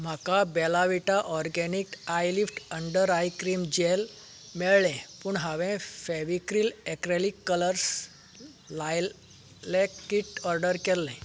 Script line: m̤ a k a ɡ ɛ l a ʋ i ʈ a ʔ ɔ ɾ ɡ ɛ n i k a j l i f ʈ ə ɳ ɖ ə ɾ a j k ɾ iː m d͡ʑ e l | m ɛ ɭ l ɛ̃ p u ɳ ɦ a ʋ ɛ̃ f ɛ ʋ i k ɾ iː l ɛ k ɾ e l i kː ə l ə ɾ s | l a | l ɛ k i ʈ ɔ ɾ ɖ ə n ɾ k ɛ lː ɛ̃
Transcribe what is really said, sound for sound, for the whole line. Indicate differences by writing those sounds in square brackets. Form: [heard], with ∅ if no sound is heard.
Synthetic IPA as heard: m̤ a k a [b] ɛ l a ʋ i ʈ a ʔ ɔ ɾ ɡ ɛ n i k a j l i f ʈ ə ɳ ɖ ə ɾ a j k ɾ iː m d͡ʑ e l | m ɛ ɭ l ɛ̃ p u ɳ ɦ a ʋ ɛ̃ f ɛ ʋ i k ɾ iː l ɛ k ɾ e l i kː ə l ə ɾ s | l a | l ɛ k i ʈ ɔ ɾ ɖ ə [∅] ɾ k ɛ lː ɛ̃